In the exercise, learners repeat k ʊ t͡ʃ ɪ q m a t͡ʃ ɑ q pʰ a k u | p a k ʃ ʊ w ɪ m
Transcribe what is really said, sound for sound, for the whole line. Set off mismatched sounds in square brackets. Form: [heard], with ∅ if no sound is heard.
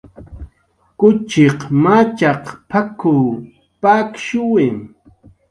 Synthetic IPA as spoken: k ʊ t͡ʃ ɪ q m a t͡ʃ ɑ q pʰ a k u | p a k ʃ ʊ w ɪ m